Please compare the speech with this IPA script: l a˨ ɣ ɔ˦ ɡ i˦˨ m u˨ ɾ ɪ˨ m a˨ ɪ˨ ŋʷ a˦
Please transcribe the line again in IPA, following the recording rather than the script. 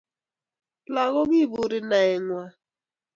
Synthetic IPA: l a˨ ɣ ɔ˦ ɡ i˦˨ b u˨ ɾ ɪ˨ n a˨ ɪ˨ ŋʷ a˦